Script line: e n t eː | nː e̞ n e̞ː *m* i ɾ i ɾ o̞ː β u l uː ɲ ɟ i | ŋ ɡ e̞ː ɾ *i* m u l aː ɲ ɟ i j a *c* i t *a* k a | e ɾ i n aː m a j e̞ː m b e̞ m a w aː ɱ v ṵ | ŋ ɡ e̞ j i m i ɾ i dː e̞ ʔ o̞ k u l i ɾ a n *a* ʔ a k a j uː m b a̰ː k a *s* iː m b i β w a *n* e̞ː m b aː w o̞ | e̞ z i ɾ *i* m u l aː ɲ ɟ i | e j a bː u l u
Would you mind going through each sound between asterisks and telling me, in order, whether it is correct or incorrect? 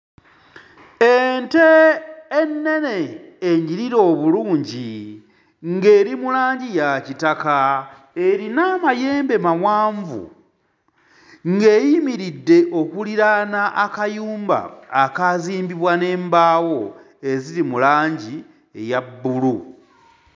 incorrect, correct, correct, correct, correct, incorrect, correct, correct

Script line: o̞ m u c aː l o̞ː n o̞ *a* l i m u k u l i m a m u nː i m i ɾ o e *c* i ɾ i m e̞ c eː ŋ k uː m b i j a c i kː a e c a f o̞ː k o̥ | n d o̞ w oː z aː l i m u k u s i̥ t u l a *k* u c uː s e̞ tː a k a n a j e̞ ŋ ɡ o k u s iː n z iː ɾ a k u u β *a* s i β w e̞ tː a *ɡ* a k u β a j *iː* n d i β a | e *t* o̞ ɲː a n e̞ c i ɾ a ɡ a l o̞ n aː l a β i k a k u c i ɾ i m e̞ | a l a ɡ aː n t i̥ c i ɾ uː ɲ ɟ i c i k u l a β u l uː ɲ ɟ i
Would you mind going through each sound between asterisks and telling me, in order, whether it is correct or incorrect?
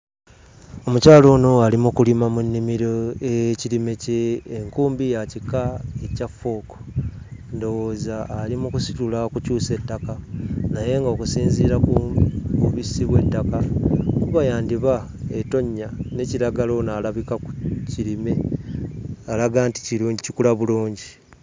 correct, correct, correct, incorrect, incorrect, incorrect, correct

